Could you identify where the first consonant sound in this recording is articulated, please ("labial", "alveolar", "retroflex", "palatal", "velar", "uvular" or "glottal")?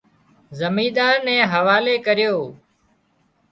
alveolar